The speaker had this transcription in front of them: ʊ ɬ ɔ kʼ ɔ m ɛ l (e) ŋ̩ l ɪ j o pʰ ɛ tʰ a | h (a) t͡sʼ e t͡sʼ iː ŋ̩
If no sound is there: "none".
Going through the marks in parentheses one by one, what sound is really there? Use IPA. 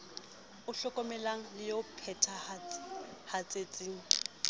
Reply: a, a

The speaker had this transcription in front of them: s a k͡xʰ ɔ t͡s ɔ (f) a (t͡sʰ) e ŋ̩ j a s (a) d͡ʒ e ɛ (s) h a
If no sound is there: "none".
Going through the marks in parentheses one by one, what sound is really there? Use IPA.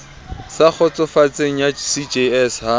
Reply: f, t͡s, i, s

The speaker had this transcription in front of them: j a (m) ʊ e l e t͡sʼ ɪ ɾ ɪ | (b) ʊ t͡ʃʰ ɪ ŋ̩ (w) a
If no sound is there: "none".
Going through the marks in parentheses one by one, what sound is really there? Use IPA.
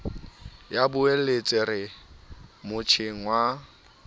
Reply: b, m, w

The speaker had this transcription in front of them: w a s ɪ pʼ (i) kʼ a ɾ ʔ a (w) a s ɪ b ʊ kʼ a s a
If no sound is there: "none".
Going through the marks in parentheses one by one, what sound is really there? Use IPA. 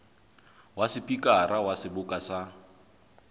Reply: i, w

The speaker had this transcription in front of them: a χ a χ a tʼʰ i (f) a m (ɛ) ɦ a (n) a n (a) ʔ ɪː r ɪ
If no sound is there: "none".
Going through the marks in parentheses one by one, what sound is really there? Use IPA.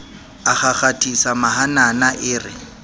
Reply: s, a, n, a

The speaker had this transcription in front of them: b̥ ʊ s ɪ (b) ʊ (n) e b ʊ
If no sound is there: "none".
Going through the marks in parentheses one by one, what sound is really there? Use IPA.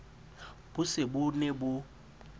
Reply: b, n

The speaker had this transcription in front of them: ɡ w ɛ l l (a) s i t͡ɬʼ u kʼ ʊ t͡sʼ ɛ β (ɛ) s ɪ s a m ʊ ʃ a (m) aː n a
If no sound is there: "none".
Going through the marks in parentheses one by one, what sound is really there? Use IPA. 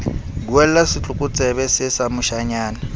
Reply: a, ɛ, ɲ

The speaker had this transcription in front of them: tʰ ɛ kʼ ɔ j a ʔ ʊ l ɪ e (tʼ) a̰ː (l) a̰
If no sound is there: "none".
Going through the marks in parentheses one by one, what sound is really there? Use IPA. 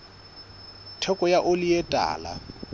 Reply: tʼ, l

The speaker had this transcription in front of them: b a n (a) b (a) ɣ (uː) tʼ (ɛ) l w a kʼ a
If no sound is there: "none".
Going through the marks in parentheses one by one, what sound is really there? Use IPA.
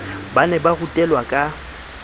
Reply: ɛ, a, u, ɛ

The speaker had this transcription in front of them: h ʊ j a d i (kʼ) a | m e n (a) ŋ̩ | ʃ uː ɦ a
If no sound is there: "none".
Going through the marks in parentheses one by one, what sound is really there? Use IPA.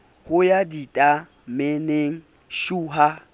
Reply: tʼ, e

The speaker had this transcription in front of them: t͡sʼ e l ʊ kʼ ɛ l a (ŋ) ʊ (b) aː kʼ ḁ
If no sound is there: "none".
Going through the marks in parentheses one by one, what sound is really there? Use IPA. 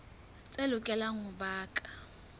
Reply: ŋ, b

